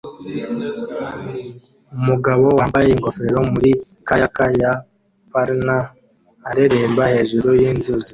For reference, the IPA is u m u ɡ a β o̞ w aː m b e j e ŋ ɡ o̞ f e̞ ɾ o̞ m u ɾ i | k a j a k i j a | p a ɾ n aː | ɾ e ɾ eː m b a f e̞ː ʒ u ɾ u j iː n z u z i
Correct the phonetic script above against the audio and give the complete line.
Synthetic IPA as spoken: u m u ɡ a β o̞ w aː m b a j e ŋ ɡ o̞ f e̞ ɾ o̞ m u ɾ i | k a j a k a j a | p a ɾ n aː | ɾ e ɾ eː m b a h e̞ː ʒ u ɾ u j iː n z u z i